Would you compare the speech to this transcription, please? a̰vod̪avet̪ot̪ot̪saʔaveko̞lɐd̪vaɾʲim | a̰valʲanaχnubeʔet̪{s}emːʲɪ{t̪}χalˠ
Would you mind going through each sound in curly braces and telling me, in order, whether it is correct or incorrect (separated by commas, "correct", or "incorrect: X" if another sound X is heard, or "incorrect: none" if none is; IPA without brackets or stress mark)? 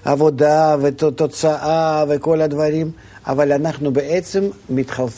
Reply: correct, correct